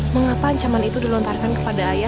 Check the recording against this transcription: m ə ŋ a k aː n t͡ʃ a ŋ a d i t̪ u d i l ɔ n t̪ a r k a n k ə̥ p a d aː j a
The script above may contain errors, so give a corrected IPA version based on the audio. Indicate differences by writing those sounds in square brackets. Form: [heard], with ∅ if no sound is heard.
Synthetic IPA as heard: m ə ŋ a [p] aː [ɲ] t͡ʃ a [m] a [n] i t̪ u d i l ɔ n t̪ a r k a n k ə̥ p a d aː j a